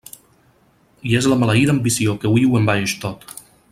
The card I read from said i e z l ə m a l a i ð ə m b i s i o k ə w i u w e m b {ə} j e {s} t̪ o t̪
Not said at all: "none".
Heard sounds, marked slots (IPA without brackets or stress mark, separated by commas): a, ʃ